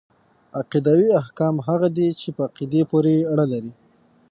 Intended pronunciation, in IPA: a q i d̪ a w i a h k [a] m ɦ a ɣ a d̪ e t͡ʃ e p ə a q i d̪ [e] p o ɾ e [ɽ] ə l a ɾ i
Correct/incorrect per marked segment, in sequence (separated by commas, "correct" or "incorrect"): incorrect, correct, correct